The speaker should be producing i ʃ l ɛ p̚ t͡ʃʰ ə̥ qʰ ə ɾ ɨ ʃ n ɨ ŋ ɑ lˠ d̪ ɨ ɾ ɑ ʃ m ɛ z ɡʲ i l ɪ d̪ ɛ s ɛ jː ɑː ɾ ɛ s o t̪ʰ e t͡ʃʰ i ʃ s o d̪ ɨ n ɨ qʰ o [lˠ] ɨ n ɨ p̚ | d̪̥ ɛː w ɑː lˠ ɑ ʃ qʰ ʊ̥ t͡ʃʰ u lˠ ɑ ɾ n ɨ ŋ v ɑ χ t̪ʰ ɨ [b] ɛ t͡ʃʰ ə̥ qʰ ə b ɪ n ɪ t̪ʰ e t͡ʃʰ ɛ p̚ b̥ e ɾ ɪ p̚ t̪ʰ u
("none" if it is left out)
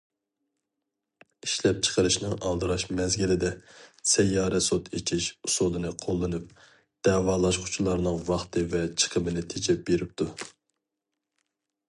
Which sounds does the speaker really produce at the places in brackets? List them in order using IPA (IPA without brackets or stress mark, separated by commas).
lˠː, v